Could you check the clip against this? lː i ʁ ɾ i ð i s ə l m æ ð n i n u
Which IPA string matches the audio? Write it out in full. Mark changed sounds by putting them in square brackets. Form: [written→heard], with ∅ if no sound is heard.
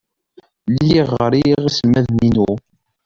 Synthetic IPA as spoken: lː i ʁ ɾ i [ð→ʁ] i s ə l m æ ð n i n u